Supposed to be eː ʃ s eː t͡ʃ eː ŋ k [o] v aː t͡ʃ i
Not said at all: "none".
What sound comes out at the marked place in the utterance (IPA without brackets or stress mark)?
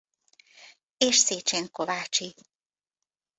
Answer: o